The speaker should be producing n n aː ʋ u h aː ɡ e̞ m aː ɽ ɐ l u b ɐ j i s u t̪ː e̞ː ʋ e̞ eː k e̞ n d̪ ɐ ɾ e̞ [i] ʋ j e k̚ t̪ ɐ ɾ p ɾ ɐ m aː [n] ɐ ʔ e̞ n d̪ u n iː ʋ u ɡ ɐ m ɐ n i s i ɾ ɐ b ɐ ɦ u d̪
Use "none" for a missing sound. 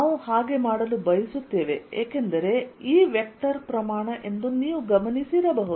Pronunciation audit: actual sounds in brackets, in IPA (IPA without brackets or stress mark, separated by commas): iː, ɳ